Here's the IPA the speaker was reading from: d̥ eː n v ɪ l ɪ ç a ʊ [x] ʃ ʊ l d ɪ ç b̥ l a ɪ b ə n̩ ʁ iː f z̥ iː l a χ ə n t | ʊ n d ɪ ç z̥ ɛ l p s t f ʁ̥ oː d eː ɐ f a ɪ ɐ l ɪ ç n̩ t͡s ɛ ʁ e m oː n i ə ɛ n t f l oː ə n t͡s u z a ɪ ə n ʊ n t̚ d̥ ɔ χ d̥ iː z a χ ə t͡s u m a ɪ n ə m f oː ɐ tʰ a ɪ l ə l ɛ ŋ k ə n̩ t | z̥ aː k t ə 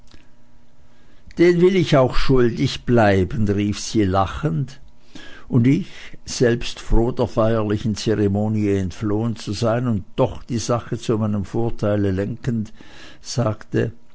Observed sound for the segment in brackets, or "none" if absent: x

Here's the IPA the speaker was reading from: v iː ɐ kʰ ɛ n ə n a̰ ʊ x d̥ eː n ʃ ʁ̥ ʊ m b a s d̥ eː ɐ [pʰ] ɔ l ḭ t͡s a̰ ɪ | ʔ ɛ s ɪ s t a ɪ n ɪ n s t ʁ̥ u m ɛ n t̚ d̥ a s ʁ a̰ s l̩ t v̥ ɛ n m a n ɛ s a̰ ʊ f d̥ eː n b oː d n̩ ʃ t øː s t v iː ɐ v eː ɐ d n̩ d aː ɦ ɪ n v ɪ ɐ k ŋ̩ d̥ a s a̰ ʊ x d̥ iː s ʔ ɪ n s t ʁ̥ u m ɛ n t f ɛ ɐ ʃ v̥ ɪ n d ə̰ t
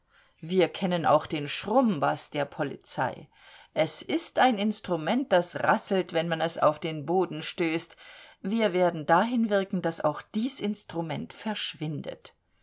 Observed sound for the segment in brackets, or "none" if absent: pʰ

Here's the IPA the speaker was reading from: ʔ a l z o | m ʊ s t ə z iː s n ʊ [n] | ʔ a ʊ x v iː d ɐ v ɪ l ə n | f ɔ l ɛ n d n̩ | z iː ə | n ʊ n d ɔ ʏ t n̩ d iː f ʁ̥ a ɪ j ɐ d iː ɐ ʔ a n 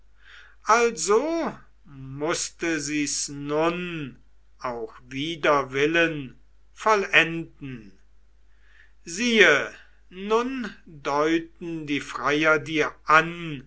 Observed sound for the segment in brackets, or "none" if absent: n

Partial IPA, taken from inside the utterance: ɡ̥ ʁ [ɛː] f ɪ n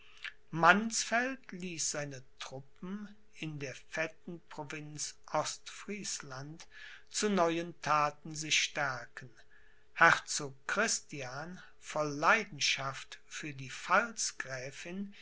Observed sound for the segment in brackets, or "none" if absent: ɛː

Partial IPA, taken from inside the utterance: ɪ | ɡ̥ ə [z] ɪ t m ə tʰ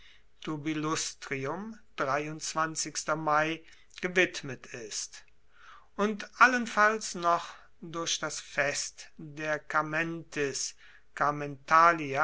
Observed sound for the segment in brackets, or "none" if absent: v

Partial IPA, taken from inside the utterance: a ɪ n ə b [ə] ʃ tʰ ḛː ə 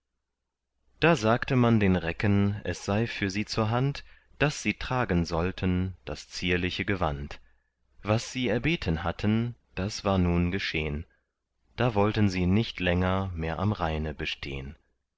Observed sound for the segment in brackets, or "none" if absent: ə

